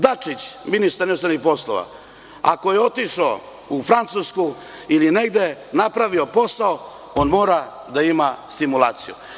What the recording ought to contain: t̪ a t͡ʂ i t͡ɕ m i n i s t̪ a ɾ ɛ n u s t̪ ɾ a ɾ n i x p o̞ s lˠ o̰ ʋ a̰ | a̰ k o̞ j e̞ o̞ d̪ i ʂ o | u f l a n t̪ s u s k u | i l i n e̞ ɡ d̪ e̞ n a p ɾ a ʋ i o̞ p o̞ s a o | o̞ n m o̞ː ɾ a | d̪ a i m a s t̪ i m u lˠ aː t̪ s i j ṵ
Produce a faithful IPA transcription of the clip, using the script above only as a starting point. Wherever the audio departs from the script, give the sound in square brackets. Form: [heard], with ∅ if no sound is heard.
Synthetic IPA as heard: [d̪] a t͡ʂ i t͡ɕ m i n i s t̪ a ɾ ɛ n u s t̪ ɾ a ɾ n i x p o̞ s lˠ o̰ ʋ a̰ | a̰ k o̞ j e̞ o̞ [t̪] i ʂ o | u f [ɾ] a n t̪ s u s k u | i l i n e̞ ɡ d̪ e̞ n a p ɾ a ʋ i o̞ p o̞ s a o | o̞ n m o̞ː ɾ a | d̪ a i m a s t̪ i m u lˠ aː t̪ s i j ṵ